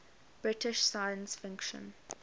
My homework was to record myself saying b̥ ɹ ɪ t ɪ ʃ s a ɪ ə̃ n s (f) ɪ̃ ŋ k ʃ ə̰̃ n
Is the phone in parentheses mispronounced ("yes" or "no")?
no